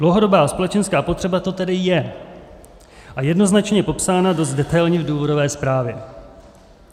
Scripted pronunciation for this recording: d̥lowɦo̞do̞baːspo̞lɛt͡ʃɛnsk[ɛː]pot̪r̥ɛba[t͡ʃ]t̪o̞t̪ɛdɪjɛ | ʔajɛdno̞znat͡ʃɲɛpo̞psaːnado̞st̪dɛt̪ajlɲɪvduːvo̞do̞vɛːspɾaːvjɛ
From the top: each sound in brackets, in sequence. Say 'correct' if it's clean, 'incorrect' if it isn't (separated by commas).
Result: incorrect, incorrect